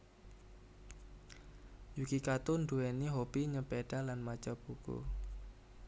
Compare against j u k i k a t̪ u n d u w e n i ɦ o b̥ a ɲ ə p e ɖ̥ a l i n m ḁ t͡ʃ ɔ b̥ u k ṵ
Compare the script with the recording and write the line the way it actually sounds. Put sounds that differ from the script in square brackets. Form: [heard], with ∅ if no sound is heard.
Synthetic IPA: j u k i k a t̪ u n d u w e n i ɦ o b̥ [i] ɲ ə p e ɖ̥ a l [a] n m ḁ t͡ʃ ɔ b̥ u k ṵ